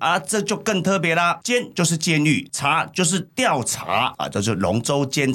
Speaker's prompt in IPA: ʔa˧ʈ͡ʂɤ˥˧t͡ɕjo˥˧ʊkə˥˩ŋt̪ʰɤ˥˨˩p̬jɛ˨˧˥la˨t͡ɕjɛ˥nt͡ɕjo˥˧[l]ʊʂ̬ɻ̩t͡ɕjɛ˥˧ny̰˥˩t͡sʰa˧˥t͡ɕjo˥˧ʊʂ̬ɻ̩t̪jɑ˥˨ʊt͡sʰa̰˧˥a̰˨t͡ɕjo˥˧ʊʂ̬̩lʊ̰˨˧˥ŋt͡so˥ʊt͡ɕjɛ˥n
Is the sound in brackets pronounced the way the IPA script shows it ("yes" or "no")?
no